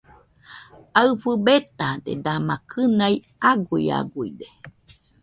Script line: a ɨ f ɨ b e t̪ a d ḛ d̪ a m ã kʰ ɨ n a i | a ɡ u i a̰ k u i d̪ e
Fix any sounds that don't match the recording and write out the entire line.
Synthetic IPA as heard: a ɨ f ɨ b e t̪ a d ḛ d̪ a m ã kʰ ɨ n a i | a ɡ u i a̰ ɡ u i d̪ e

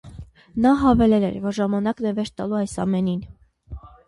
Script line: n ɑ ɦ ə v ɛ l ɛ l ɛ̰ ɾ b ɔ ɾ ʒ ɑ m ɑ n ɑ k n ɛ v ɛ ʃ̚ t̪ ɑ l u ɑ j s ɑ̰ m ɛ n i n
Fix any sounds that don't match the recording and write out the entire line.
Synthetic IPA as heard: n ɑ ɦ ɑ v ɛ l ɛ l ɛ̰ ɾ v ɔ ɾ ʒ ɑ m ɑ n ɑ k n ɛ v ɛ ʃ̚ t̪ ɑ l u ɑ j s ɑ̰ m ɛ n i n

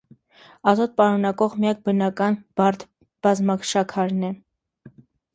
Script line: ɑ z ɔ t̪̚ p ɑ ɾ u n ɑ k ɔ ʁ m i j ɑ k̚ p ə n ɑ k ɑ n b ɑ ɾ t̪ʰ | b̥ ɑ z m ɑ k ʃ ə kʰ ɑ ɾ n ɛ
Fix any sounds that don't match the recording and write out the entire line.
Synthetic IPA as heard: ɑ z ɔ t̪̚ p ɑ ɾ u n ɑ k ɔ ʁ m i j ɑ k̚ b ə n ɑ k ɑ n b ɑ ɾ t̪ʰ | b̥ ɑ z m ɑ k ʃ ɑ kʰ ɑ ɾ n ɛ

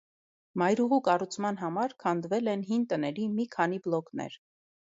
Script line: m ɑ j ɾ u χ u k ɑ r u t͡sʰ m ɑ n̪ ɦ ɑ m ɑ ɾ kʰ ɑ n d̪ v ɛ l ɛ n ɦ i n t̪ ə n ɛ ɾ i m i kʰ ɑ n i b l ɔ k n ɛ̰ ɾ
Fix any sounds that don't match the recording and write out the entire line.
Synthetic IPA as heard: m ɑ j ɾ u ʁ u k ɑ r u t͡sʰ m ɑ n̪ ɦ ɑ m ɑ ɾ kʰ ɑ n d̪ v ɛ l ɛ n ɦ i n t̪ ə n ɛ ɾ i m i kʰ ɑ n i b l ɔ k n ɛ̰ ɾ

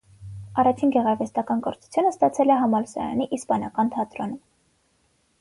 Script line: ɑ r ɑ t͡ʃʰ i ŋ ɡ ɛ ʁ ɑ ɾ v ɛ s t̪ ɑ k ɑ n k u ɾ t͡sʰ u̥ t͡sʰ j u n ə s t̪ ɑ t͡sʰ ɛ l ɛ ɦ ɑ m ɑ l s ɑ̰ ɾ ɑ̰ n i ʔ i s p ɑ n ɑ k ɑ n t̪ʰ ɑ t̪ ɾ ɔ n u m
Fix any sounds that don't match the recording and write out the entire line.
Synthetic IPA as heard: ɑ r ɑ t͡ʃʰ i n ɡ ɛ ʁ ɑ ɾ v ɛ s t̪ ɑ k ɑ n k ɔ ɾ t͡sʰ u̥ t͡sʰ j u n ə s t̪ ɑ t͡sʰ ɛ l ɛ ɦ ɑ m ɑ l s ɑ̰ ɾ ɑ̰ n i ʔ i s p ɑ n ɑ k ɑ n t̪ʰ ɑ t̪ ɾ ɔ n u m

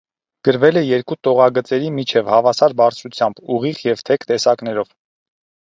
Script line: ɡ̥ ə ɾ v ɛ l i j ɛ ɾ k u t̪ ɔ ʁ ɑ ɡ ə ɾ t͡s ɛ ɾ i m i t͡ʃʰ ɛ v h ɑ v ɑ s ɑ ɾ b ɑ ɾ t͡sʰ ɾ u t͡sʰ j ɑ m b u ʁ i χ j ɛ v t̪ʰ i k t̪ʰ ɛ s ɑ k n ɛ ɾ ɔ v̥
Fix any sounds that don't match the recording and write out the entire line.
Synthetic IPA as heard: ɡ̥ ə ɾ v ɛ l ɛ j ɛ ɾ k u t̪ ɔ ʁ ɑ ɡ ə t͡s ɛ ɾ i m i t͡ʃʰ ɛ v h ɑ v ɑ s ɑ ɾ b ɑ ɾ t͡sʰ ɾ u t͡sʰ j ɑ m b u ʁ i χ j ɛ v t̪ʰ ɛ k t̪ ɛ s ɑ k n ɛ ɾ ɔ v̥

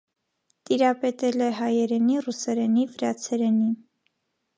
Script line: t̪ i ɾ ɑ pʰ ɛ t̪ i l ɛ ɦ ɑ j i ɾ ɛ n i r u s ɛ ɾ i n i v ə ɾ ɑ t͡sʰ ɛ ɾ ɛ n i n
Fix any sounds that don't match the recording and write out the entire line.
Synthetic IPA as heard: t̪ i ɾ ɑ p ɛ t̪ ɛ l ɛ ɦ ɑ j ɛ ɾ ɛ n i r u s ɛ ɾ ɛ n i v ə ɾ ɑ t͡sʰ ɛ ɾ ɛ n i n

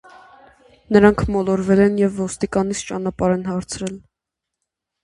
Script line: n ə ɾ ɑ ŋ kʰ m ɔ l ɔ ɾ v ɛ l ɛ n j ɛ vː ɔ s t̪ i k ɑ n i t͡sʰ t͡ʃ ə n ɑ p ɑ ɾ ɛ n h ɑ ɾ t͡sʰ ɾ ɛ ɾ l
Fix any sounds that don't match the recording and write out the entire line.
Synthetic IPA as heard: n ə ɾ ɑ ŋ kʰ m ɔ l ɔ ɾ v ɛ l ɛ n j ɛ vː ɔ s t̪ i k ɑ n i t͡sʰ t͡ʃ ɑ n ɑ p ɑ ɾ ɛ n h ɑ ɾ t͡sʰ ɾ ɛ l

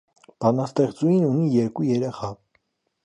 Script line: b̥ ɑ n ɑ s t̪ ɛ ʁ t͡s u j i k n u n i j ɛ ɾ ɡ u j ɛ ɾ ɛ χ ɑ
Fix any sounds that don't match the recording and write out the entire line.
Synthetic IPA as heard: b̥ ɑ n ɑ s t̪ ɛ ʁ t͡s u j i n u n i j ɛ ɾ k u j ɛ ɾ ɛ χ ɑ

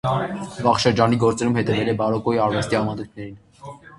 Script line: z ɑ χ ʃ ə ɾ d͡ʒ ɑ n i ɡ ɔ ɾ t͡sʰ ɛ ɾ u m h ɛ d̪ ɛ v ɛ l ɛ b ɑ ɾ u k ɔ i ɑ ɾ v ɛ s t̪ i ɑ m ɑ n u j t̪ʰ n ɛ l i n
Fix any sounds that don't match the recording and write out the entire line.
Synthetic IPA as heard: v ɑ χ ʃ ə ɾ d͡ʒ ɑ n i ɡ ɔ ɾ t͡s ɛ ɾ u m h ɛ t̪ ɛ v ɛ l ɛ b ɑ ɾ ɔ k ɔ i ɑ ɾ v ɛ s t̪ i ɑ m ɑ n u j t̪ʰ n ɛ ɾ i n

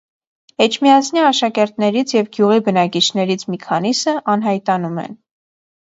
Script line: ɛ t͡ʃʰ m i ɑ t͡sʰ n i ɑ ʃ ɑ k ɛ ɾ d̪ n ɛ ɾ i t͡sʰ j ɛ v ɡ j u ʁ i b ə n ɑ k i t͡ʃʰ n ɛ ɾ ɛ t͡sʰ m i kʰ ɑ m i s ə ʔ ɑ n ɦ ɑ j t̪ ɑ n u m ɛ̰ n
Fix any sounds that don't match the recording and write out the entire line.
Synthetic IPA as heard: ɛ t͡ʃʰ m i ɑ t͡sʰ n i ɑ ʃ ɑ k ɛ ɾ t̪ n ɛ ɾ i t͡sʰ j ɛ v ɡ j u ʁ i b ə n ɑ k i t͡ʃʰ n ɛ ɾ i t͡sʰ m i kʰ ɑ n i s ə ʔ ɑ n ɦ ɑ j t̪ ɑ n u m ɛ̰ n

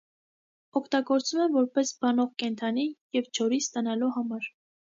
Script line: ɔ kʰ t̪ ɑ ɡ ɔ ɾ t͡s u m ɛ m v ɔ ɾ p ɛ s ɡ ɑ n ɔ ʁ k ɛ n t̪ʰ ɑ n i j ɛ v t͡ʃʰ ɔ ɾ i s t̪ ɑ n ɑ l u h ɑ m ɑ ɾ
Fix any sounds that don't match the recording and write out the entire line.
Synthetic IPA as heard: ɔ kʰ t̪ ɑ ɡ ɔ ɾ t͡s u m ɛ m v ɔ ɾ p ɛ s b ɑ n ɔ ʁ k ɛ n t̪ʰ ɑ n i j ɛ v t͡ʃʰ ɔ ɾ i s t̪ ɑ n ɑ l u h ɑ m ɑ ɾ

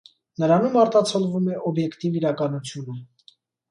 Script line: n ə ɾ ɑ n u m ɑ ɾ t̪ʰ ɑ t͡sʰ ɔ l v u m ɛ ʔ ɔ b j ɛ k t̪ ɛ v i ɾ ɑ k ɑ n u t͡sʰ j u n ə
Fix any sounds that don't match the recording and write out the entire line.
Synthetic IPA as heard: n ə ɾ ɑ n u m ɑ ɾ t̪ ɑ t͡sʰ ɔ l v u m ɛ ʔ ɔ b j ɛ k t̪ i v i ɾ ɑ k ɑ n u t͡sʰ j u n ə

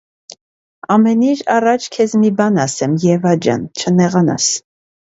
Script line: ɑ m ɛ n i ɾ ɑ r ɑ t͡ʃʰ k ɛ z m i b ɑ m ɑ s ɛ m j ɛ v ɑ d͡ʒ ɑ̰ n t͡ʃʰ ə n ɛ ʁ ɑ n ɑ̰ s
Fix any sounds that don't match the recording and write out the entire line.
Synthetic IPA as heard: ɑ m ɛ n i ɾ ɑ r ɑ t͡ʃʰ kʰ ɛ z m i b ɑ n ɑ s ɛ m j ɛ v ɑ d͡ʒ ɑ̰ n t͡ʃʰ ə n ɛ ʁ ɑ n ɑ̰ s

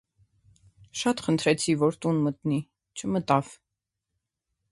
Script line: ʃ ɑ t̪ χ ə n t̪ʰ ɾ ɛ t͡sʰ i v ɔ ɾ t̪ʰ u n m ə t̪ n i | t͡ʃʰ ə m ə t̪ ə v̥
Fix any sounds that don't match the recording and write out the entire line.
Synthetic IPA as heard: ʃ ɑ t̪ χ ə n t̪ʰ ɾ ɛ t͡sʰ i v ɔ ɾ t̪ u n m ə t̪ n i | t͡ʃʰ ə m ə t̪ ɑ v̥

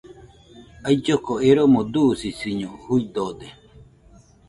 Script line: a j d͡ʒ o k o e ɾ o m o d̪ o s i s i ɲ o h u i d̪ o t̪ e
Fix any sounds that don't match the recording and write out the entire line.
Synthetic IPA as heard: a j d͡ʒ o k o e ɾ o m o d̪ u s i s i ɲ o h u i d̪ o d̪ e

